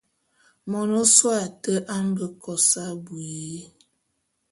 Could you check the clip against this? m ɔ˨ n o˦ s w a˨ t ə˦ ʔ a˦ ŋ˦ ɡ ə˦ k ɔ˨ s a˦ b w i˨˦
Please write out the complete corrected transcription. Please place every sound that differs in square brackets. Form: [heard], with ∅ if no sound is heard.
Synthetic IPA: m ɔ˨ n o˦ s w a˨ t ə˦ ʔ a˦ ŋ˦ ɡ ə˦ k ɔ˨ s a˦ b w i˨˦

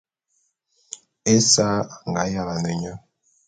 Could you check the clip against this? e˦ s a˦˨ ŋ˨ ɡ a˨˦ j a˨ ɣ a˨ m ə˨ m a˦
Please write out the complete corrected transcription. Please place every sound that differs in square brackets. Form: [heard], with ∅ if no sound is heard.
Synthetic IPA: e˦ s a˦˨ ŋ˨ ɡ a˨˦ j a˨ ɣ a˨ [n] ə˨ [ɲ] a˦

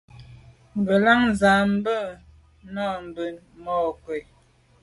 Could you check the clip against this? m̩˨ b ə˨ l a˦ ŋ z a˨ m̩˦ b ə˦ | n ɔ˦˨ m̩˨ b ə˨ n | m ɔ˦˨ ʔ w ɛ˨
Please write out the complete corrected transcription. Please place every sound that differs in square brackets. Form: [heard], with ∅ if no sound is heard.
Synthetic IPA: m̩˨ b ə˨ l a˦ ŋ z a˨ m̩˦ b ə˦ | n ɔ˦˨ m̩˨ b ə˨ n | m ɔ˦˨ [k] w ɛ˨

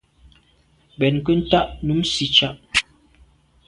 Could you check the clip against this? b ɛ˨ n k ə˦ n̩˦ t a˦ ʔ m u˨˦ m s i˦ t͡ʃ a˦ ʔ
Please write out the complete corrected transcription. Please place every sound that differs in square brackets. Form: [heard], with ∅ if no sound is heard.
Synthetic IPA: b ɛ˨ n k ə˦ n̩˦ t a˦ ʔ [n] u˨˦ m s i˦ t͡ʃ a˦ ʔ

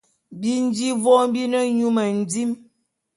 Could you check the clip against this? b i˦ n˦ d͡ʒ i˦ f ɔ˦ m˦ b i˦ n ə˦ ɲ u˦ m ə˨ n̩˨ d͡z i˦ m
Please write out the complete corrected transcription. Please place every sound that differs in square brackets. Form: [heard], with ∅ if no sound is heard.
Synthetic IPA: b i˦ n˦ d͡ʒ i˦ [v] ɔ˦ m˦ b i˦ n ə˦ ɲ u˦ m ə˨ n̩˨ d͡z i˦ m

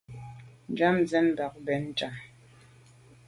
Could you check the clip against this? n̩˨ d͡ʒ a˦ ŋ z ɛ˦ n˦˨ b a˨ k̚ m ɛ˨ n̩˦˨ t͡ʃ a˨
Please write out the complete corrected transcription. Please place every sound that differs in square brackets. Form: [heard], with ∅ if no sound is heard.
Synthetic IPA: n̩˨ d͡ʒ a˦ [m] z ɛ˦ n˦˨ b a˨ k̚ [b] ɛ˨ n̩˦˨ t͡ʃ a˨

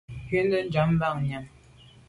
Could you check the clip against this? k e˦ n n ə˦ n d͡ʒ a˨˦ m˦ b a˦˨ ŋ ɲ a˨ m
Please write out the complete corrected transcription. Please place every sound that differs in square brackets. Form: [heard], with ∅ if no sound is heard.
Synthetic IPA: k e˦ n [d] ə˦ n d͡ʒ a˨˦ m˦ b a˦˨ ŋ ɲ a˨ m

